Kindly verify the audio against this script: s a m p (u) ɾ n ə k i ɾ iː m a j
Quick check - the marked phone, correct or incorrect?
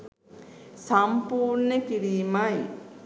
incorrect